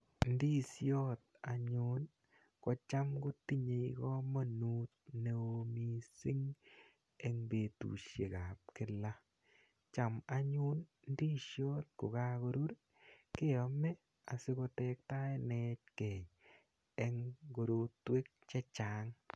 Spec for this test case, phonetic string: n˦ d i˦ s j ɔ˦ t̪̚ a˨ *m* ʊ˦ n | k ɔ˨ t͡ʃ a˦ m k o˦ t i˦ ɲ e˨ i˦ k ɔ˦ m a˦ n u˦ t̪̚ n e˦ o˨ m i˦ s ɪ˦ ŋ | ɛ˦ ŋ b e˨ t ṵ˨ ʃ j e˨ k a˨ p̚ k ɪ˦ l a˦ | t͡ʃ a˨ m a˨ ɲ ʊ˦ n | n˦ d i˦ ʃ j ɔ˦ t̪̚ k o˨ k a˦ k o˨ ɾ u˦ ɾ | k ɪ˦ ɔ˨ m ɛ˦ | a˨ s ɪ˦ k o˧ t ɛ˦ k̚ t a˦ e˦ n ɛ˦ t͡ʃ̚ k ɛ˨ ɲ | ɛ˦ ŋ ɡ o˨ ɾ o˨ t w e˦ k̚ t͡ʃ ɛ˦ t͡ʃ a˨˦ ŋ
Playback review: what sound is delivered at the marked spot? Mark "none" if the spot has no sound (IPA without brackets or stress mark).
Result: ɲ